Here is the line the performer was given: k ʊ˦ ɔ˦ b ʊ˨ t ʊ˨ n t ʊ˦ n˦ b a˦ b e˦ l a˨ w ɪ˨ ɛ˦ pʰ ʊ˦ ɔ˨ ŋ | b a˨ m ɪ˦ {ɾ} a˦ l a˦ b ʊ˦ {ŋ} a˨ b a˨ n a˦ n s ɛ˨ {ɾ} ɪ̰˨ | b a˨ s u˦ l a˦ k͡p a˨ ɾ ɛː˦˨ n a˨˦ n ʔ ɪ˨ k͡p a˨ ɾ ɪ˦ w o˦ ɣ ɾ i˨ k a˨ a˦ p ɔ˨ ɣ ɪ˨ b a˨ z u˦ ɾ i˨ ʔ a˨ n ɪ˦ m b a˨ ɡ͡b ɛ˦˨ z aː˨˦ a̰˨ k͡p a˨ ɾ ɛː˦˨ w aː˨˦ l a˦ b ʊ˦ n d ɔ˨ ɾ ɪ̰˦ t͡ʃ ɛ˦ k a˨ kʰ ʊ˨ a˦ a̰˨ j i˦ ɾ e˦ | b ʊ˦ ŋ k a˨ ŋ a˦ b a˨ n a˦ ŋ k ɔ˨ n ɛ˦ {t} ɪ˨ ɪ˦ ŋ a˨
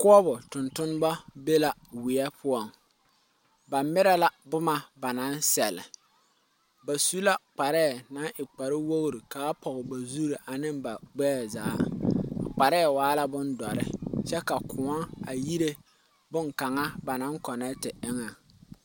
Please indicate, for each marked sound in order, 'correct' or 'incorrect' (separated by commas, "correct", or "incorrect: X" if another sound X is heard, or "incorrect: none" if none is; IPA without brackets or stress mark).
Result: correct, incorrect: m, incorrect: l, correct